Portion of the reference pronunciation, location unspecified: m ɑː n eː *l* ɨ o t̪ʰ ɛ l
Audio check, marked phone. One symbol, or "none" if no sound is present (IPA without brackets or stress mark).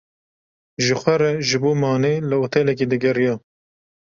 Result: l